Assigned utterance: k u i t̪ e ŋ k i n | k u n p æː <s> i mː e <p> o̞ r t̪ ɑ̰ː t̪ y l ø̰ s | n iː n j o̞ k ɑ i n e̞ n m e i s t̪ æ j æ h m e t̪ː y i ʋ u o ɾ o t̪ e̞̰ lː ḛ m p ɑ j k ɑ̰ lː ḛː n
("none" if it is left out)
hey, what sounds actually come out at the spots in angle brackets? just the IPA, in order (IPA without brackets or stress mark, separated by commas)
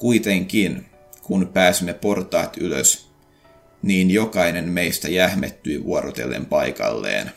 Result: s, p